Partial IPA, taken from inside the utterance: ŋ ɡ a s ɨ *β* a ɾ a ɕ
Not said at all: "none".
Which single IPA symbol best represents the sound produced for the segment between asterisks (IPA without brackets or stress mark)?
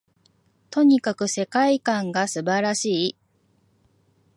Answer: b